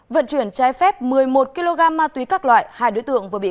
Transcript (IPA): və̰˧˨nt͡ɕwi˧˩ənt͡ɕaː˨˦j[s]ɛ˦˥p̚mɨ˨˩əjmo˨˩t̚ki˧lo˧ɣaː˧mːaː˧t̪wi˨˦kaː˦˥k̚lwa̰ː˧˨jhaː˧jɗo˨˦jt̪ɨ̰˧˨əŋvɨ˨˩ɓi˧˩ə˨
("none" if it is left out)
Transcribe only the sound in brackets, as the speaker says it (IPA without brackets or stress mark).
f